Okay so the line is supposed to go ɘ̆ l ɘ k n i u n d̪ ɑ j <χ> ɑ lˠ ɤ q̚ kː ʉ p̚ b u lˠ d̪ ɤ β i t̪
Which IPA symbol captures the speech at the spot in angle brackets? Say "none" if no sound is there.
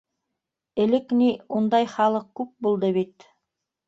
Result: χ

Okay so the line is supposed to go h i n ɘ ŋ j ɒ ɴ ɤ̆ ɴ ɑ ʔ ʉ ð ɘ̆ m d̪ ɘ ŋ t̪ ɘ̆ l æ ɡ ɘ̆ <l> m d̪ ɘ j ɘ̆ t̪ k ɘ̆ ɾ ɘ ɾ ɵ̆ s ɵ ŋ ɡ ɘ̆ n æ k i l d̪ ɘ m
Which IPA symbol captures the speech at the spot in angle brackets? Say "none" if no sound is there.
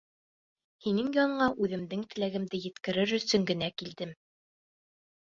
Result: none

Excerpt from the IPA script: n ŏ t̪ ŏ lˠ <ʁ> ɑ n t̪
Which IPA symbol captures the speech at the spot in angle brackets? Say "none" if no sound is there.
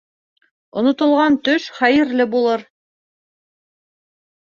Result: ʁ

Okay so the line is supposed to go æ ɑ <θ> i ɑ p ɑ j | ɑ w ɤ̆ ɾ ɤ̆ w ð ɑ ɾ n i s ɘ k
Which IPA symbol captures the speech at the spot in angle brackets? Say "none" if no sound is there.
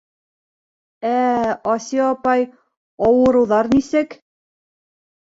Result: s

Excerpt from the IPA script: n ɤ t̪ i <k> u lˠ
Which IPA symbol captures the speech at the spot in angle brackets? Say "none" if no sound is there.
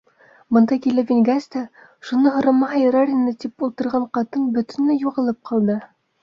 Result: p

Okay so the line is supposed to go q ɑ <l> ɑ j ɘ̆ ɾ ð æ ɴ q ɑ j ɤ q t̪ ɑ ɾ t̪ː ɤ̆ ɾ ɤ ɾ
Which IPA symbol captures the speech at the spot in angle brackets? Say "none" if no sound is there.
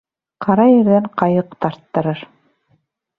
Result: ɾ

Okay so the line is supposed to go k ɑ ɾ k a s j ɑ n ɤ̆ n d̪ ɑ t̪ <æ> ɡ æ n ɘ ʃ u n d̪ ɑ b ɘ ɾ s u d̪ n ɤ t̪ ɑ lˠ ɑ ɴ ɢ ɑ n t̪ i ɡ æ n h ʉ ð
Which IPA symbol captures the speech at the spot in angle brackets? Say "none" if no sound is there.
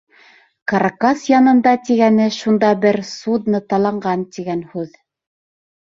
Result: i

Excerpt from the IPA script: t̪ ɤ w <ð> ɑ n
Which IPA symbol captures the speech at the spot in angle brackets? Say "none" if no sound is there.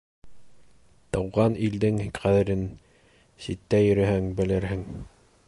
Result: ʁ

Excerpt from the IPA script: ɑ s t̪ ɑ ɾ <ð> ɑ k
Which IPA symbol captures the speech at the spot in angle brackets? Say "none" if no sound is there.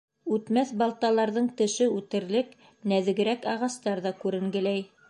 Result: ð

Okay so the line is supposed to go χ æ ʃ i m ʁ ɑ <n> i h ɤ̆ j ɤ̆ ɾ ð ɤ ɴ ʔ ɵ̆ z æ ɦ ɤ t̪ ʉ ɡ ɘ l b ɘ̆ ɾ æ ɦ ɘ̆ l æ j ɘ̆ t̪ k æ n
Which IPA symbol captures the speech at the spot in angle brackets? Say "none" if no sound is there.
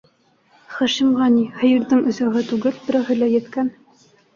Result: n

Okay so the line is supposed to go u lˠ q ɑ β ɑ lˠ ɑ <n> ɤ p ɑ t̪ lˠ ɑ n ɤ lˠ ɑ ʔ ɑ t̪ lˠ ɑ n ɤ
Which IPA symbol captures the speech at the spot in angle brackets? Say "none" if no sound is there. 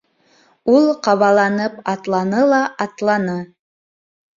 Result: n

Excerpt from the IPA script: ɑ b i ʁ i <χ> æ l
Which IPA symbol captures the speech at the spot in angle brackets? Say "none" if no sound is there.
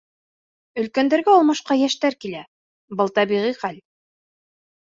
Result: χ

